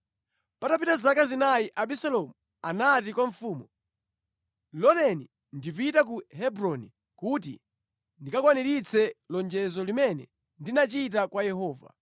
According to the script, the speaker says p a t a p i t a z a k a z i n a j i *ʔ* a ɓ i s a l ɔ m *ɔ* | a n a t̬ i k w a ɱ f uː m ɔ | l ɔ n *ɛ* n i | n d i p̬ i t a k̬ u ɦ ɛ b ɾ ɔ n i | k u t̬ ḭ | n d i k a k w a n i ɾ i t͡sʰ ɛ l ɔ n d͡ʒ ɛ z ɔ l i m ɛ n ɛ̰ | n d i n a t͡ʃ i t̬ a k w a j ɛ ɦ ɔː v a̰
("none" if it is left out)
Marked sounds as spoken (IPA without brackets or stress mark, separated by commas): ʔ, u, ɛ